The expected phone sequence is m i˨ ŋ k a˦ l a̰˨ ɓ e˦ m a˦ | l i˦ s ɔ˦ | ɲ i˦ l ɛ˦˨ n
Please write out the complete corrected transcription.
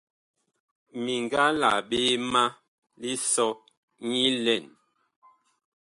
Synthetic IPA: m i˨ ŋ ɡ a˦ l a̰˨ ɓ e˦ m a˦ | l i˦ s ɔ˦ | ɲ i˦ l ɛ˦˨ n